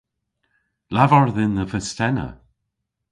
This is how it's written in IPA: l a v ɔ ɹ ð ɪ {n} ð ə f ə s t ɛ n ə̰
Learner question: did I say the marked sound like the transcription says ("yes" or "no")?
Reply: yes